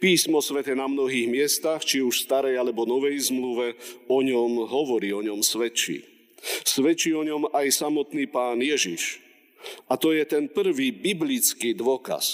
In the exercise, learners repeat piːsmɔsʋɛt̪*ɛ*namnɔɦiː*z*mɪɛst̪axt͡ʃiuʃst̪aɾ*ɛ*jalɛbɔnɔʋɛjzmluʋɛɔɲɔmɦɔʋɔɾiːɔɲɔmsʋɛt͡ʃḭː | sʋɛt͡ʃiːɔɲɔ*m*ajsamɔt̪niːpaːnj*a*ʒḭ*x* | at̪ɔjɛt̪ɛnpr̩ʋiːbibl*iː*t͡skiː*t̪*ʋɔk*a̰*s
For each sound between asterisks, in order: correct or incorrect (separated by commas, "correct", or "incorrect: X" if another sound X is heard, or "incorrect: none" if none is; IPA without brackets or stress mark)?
correct, incorrect: ɣ, correct, correct, incorrect: ɛ, incorrect: ʃ, incorrect: i, incorrect: d̪, correct